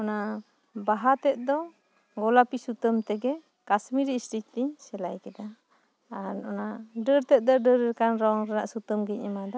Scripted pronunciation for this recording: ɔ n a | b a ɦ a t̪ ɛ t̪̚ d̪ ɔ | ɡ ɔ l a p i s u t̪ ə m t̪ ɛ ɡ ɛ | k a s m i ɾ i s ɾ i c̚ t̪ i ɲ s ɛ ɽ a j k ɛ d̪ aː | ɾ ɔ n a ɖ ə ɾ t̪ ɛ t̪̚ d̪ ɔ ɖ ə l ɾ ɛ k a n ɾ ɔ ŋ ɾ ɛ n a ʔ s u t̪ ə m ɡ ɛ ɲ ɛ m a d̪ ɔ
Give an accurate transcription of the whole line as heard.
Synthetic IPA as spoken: ɔ n a | b a ɦ a t̪ ɛ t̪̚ d̪ ɔ | ɡ ɔ l a p i s u t̪ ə m t̪ ɛ ɡ ɛ | k a s m i ɾ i s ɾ i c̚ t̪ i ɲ s ɛ l a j k ɛ d̪ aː | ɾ ɔ n a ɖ ə ɾ t̪ ɛ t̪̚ d̪ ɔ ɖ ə ɾ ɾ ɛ k a n ɾ ɔ ŋ ɾ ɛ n a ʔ s u t̪ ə m ɡ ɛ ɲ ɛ m a d̪ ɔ